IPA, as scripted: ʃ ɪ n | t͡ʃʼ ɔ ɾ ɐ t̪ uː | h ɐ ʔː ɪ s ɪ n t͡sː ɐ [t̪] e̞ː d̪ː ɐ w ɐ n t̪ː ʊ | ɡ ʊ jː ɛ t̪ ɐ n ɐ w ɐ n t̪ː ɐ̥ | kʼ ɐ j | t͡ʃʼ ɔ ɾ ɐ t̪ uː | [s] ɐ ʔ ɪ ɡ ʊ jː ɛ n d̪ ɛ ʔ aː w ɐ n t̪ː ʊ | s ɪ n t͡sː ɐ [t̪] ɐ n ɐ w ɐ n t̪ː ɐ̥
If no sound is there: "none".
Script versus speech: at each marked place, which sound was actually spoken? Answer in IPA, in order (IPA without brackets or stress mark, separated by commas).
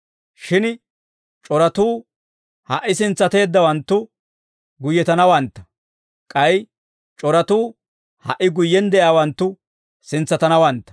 t̪, h, t̪